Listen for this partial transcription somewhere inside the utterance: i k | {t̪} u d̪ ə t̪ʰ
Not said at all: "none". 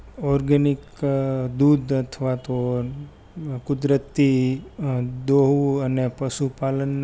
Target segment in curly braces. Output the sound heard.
d̪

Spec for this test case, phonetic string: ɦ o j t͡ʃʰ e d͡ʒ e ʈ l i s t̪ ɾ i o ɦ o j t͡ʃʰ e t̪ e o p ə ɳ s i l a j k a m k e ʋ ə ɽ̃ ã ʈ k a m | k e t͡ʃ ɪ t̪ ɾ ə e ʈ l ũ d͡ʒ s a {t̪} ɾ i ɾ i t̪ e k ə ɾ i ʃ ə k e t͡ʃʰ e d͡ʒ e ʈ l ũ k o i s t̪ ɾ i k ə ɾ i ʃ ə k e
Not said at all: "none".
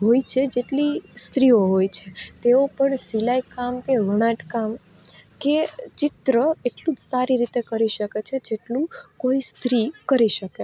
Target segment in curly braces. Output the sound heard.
none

